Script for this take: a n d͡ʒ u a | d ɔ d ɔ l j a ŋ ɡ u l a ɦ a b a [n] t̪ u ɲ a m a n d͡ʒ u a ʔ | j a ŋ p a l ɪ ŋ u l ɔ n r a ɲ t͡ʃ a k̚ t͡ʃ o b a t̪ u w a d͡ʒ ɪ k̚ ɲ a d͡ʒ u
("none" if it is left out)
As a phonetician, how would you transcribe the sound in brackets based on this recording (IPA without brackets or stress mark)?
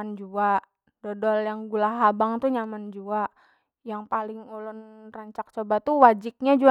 ŋ